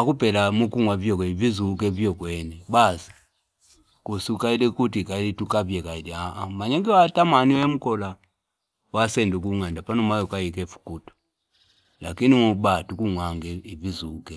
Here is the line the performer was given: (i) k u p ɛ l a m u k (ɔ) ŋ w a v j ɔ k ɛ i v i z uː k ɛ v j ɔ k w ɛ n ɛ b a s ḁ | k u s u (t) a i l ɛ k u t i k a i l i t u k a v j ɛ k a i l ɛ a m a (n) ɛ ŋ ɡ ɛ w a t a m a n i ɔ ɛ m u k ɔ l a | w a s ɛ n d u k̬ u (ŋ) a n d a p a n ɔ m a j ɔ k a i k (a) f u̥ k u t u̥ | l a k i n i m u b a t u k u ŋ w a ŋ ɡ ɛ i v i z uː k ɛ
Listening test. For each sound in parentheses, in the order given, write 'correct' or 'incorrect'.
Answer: incorrect: a, incorrect: u, incorrect: k, incorrect: ɲ, correct, incorrect: ɛ

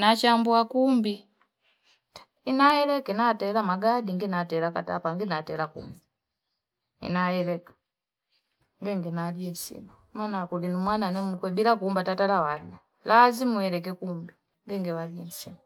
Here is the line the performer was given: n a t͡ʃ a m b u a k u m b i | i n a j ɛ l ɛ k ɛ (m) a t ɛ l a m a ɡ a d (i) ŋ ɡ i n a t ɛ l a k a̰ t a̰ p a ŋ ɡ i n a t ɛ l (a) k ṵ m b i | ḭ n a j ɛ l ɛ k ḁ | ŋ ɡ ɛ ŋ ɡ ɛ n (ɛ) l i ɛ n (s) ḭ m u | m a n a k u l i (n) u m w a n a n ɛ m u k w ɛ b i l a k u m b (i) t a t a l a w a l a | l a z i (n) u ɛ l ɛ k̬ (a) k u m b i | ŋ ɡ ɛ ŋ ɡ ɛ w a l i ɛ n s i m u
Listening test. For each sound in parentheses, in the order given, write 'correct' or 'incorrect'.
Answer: incorrect: n, correct, correct, incorrect: a, correct, correct, incorrect: a, incorrect: m, incorrect: ɛ

